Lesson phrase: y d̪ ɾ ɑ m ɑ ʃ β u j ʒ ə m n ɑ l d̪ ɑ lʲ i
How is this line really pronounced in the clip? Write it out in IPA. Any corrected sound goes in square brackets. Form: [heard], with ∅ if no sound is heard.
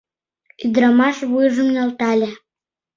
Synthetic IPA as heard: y d̪ ɾ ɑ m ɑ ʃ β u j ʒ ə m n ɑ l [t̪] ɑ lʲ [e]